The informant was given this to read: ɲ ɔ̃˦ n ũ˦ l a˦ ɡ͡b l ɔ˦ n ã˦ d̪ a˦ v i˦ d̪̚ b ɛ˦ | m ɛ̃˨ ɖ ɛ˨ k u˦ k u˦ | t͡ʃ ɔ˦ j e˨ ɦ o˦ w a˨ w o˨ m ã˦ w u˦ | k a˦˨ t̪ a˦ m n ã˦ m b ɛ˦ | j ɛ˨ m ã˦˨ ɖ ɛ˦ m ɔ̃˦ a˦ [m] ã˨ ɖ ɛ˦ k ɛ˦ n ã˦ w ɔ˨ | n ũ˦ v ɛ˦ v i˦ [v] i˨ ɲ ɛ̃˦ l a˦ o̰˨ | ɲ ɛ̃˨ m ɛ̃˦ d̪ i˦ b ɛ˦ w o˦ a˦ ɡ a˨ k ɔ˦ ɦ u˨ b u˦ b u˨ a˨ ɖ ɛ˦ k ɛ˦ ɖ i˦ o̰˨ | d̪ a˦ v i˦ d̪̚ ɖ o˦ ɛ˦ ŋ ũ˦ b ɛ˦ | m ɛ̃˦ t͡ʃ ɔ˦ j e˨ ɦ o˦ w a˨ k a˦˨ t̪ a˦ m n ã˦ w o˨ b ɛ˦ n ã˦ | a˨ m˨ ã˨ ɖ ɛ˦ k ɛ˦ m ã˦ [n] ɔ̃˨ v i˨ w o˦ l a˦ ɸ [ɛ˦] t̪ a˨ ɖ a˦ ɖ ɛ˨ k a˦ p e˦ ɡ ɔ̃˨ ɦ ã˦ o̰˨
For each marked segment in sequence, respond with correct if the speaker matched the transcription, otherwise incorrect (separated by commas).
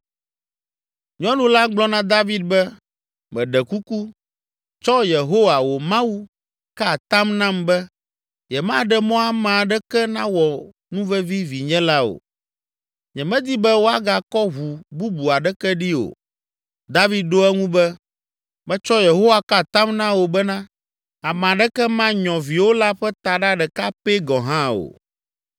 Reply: correct, correct, incorrect, correct